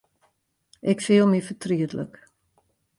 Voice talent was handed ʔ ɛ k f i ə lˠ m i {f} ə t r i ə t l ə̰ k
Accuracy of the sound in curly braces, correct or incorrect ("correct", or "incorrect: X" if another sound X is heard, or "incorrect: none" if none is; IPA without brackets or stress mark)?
correct